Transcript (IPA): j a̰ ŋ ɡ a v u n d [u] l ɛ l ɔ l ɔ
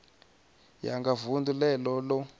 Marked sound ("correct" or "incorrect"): correct